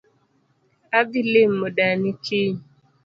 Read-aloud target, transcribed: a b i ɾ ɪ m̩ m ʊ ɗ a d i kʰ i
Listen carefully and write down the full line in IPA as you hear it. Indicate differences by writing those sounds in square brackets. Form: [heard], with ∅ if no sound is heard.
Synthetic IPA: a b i [l] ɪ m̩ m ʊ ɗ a [n] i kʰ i